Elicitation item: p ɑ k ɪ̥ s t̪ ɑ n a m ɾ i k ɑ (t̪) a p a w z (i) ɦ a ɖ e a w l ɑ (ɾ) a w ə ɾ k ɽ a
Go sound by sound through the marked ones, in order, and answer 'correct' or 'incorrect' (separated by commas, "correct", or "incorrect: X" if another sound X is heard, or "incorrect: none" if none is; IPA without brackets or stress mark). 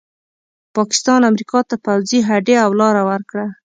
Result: correct, correct, correct